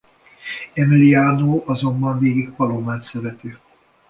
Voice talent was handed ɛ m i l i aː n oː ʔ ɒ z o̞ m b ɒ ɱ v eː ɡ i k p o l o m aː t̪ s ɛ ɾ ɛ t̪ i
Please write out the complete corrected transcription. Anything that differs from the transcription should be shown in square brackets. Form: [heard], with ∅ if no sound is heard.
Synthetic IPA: ɛ m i l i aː n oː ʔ ɒ z o̞ m b ɒ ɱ v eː ɡ i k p [ɒ] l o m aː t̪ s ɛ ɾ ɛ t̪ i